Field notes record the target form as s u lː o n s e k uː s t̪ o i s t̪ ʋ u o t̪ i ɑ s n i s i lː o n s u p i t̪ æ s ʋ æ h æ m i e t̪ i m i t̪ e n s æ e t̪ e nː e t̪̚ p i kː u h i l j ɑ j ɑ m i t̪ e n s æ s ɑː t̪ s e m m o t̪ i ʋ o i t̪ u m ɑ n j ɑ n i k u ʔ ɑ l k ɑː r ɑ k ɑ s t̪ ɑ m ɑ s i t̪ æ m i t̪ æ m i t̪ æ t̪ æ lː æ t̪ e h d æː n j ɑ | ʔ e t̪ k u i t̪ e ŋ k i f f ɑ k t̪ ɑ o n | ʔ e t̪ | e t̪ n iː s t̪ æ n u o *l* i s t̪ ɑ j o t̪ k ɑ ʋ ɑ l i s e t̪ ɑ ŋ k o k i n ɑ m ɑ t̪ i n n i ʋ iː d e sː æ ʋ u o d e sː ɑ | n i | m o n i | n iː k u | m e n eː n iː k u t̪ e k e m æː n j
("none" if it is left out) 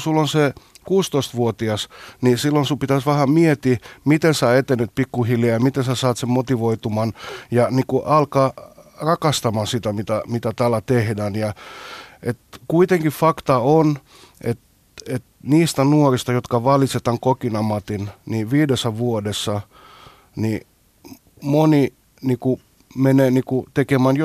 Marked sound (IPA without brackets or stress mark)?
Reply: r